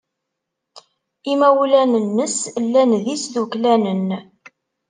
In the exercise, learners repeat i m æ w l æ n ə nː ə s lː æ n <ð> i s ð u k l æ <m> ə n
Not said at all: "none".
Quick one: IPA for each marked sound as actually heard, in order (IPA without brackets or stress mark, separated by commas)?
ð, n